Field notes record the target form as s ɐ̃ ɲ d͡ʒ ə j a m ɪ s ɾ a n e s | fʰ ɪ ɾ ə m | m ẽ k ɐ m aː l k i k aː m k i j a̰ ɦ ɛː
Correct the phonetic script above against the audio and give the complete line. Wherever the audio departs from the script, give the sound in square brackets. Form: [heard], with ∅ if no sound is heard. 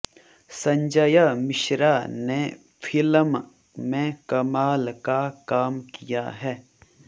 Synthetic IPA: s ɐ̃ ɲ d͡ʒ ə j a m ɪ [ʃ] ɾ a n e [∅] | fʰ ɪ [l] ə m | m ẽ k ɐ m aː l k [a] k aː m k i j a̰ ɦ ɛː

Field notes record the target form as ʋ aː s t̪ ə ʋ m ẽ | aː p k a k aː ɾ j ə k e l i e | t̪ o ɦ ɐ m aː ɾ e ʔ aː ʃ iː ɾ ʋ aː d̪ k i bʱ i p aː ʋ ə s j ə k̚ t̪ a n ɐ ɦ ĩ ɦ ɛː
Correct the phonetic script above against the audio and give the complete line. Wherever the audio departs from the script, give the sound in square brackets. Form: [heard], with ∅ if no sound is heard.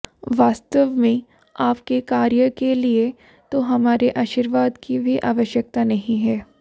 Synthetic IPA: ʋ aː s t̪ ə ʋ m ẽ | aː p k [e] k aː ɾ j ə k e l i e | t̪ o ɦ ɐ m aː ɾ e ʔ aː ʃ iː ɾ ʋ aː d̪ k i bʱ i [ʔ] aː ʋ ə [ʃ] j ə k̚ t̪ a n ɐ ɦ ĩ ɦ ɛː

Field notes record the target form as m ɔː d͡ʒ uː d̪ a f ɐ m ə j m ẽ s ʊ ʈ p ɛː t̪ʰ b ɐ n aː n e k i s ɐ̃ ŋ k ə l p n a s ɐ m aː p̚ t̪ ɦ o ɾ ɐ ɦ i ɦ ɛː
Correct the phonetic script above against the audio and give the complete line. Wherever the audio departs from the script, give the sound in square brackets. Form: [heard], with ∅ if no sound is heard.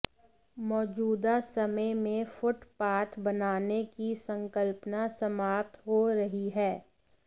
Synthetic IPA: m ɔː d͡ʒ uː d̪ a [s] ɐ m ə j m ẽ [f] ʊ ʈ p [aː] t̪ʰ b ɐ n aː n e k i s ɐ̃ ŋ k ə l p n a s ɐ m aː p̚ t̪ ɦ o ɾ ɐ ɦ i ɦ ɛː

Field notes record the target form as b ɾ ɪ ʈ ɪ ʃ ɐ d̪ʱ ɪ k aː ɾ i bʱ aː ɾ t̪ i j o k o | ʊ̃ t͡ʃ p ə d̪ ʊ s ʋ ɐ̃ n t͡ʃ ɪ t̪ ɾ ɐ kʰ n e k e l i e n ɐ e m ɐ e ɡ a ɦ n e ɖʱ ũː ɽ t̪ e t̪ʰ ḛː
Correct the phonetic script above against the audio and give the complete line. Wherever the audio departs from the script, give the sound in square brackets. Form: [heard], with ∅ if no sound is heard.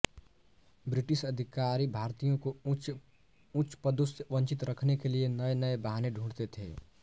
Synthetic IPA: b ɾ ɪ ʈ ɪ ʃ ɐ d̪ʱ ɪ k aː ɾ i bʱ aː ɾ t̪ i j [õ] k o | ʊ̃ t͡ʃ p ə d̪ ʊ s ʋ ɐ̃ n t͡ʃ ɪ t̪ ɾ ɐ kʰ n e k e l i e n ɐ e [n] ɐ e [b] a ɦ n e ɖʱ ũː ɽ t̪ e t̪ʰ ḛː

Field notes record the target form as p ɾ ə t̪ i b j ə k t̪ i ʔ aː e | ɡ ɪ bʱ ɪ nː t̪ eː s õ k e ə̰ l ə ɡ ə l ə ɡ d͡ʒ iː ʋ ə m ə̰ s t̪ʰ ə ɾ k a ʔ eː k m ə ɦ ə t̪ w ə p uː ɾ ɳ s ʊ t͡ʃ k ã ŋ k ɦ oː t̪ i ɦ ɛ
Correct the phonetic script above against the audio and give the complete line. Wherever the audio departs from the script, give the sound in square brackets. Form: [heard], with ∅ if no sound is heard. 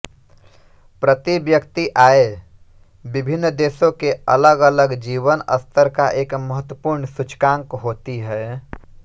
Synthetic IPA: p ɾ ə t̪ i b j ə k t̪ i ʔ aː e | [b] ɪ bʱ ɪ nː [d̪] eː s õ k e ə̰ l ə ɡ ə l ə ɡ d͡ʒ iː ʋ ə [n] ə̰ s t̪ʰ ə ɾ k a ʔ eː k m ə ɦ ə t̪ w ə p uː ɾ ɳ s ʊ t͡ʃ k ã ŋ k ɦ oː t̪ i ɦ ɛ

